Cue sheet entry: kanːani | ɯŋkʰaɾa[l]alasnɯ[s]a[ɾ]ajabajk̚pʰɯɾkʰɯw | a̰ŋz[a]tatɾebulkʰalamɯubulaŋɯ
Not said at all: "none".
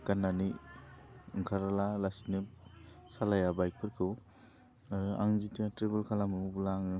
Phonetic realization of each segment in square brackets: l, s, l, i

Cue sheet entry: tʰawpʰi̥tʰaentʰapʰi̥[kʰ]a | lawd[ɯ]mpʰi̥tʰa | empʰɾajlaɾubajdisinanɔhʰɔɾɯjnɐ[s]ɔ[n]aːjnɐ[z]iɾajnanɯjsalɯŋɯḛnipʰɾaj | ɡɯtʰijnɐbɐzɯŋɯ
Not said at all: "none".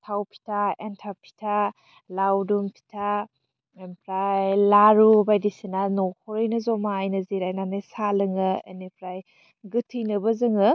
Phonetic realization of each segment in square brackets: tʰ, u, z, m, z

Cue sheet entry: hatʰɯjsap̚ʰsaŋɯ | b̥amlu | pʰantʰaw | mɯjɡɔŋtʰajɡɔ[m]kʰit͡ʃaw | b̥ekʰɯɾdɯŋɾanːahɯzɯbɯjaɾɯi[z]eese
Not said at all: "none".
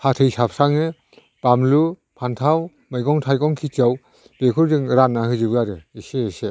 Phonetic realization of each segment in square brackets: ŋ, s

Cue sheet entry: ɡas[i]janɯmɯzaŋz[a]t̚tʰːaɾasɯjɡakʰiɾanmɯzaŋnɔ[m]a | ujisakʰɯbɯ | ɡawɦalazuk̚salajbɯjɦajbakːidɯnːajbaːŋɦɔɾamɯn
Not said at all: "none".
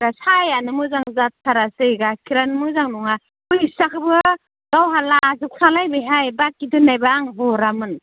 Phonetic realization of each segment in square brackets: a, a, ŋ

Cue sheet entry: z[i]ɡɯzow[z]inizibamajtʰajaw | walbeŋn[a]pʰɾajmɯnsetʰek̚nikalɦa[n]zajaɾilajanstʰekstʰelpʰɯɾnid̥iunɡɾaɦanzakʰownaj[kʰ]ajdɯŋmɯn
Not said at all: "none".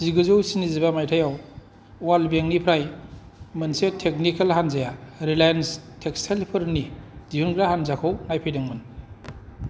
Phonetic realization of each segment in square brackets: i, s, i, n, pʰ

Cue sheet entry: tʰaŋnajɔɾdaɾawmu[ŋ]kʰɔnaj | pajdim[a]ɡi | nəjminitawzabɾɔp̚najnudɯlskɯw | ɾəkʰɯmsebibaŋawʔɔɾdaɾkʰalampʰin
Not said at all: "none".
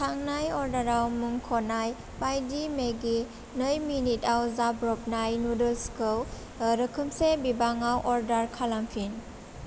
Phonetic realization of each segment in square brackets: ŋ, e

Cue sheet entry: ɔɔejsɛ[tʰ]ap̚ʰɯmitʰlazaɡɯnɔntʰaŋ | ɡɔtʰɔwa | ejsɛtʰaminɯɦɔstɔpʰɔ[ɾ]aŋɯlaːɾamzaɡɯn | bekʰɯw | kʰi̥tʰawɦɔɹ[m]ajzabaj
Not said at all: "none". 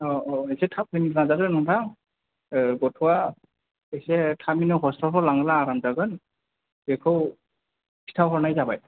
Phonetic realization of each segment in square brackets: tʰ, l, n

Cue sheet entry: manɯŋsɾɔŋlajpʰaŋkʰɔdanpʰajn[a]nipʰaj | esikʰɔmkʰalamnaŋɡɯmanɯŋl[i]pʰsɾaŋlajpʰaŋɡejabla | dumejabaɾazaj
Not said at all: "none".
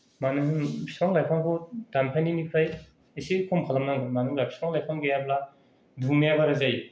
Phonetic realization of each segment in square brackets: i, a

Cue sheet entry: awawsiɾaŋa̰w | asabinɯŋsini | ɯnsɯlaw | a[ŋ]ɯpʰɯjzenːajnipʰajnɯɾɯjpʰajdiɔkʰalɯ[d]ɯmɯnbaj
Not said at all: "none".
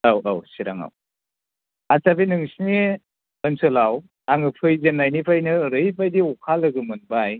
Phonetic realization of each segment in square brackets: ŋ, ɡ

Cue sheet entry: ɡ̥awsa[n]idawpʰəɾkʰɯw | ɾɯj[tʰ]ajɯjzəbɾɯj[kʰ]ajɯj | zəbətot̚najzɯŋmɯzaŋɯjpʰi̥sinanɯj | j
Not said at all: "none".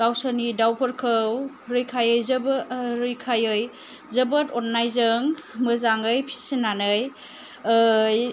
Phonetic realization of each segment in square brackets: n, kʰ, kʰ

